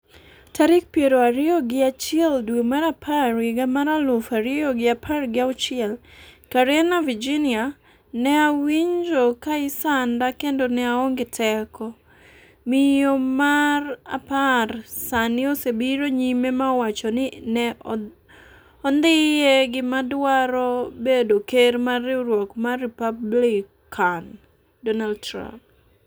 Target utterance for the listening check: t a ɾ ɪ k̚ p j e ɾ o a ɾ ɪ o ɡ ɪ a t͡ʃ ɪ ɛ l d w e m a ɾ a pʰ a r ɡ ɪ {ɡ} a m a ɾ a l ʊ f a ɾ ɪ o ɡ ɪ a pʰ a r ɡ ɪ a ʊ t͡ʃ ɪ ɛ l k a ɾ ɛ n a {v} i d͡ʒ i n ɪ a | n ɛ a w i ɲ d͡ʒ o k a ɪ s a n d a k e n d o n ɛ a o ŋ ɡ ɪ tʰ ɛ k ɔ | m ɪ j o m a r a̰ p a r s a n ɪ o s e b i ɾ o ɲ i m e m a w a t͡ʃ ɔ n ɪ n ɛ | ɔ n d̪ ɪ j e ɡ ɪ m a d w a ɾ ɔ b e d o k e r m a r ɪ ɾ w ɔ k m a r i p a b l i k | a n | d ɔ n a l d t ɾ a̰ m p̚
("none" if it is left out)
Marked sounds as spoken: ɡ, v

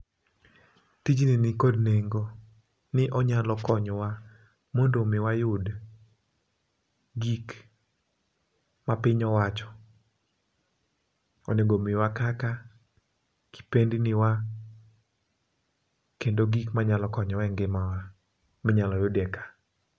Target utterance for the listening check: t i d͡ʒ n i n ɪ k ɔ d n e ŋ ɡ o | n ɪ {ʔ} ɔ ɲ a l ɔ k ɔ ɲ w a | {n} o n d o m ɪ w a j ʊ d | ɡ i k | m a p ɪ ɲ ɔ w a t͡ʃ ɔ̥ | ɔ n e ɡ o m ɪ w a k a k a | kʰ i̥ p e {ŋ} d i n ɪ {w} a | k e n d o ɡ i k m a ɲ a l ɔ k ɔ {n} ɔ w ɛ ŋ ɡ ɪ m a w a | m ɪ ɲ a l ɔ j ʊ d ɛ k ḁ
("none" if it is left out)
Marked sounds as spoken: ʔ, m, n, w, ɲ

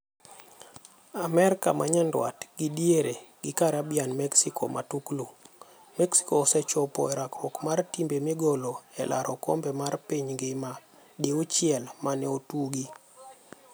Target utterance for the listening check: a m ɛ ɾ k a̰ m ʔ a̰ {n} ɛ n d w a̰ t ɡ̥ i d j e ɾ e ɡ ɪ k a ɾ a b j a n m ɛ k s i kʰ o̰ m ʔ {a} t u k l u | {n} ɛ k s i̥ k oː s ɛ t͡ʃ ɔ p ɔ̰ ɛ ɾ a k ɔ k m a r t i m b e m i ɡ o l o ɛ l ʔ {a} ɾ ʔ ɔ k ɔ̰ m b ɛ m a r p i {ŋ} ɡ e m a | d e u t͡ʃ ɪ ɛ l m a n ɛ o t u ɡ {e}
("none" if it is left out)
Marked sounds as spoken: ɲ, a, m, a, ɲ, i

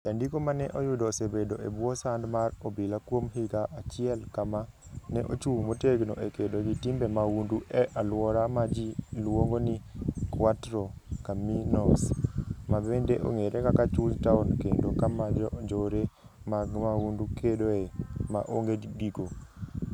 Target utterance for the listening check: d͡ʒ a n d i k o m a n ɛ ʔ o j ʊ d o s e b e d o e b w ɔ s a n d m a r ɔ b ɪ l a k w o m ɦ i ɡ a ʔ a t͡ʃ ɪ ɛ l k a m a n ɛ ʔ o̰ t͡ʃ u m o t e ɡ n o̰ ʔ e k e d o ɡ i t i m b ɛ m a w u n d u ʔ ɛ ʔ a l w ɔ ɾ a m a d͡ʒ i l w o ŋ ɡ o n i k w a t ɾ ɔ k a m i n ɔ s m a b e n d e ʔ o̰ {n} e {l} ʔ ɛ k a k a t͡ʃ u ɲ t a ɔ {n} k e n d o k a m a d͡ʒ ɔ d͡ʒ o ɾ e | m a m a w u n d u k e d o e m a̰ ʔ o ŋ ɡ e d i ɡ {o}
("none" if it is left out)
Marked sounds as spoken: ŋ, ɾ, n, o

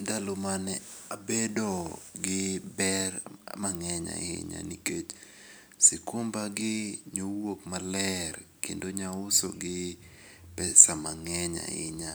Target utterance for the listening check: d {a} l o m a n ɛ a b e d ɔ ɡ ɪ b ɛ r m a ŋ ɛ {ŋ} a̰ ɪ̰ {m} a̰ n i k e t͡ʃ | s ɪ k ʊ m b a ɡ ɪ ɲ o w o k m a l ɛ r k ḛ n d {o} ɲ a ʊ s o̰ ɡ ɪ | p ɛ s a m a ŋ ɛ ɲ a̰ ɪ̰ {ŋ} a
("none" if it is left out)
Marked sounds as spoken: a, ɲ, ɲ, o, ɲ

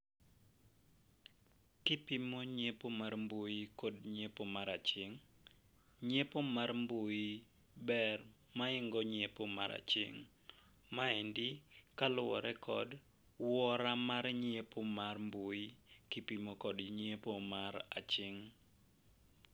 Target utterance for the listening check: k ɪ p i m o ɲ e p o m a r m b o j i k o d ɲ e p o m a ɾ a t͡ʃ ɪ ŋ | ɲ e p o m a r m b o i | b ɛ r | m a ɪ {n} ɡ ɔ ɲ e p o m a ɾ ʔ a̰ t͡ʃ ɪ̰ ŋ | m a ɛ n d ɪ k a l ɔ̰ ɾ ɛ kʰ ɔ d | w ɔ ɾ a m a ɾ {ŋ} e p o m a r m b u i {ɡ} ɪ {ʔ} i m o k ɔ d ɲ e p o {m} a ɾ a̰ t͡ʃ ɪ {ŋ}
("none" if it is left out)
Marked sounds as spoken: ŋ, ɲ, k, p, m, ŋ

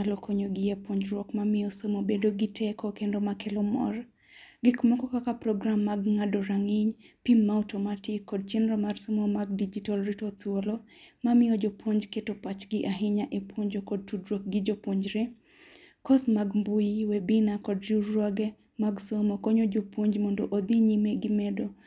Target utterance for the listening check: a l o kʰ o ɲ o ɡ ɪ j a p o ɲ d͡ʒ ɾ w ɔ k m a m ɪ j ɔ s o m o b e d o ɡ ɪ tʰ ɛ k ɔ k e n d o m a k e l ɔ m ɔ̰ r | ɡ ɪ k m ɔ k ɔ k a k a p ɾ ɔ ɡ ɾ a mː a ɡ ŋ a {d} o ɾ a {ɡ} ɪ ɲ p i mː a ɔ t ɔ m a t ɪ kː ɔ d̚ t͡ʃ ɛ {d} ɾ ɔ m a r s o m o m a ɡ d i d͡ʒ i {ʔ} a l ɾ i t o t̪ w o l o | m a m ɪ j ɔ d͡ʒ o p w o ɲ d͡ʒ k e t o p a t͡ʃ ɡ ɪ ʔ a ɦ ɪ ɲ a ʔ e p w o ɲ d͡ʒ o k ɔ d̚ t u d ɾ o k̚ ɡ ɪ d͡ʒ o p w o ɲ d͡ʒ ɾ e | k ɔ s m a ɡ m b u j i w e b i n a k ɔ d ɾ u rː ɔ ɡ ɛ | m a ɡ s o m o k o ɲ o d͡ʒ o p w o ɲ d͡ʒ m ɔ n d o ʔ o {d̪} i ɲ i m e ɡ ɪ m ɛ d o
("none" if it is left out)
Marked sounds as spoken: d, ŋ, n, t, d̪

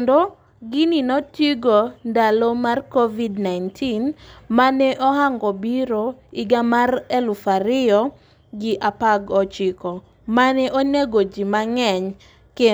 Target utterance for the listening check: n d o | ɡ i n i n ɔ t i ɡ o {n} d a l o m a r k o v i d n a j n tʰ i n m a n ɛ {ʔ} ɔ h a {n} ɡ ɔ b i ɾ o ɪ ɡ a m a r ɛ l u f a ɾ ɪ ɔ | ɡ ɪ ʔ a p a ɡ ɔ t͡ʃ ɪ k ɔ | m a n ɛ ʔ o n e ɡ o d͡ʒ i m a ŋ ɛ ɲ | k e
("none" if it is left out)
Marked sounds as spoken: n, ʔ, ŋ

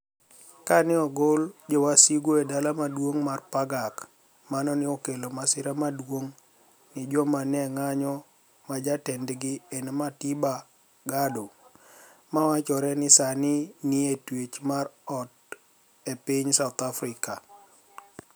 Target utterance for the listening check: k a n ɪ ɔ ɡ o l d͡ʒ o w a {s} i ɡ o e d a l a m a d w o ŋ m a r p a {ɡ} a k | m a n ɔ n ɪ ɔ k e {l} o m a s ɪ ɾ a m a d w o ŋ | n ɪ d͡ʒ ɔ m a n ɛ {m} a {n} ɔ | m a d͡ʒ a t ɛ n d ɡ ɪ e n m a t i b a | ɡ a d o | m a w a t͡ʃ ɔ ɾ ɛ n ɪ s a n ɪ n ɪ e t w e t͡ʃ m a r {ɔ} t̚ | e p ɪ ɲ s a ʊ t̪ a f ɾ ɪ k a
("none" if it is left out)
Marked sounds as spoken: s, ɡ, l, ŋ, ɲ, ɔ

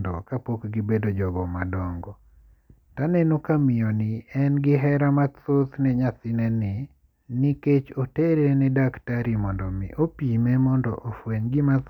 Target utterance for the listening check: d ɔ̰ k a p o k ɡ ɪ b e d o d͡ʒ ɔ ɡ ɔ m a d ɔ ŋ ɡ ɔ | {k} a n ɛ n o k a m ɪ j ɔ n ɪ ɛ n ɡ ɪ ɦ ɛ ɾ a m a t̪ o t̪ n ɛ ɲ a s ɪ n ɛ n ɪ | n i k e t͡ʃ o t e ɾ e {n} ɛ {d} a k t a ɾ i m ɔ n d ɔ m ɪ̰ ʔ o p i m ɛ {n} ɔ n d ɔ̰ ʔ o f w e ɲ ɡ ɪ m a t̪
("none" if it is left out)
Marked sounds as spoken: t, n, d, m

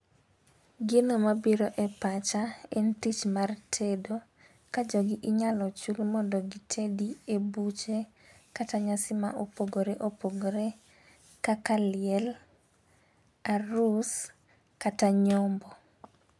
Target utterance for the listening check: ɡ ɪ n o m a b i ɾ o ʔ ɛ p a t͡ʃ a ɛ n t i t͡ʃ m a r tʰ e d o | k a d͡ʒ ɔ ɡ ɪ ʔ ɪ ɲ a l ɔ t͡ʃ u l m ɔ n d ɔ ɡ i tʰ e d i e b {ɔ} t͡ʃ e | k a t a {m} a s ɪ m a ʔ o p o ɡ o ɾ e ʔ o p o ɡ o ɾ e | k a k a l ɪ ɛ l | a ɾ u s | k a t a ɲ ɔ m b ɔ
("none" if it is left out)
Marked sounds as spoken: u, ɲ

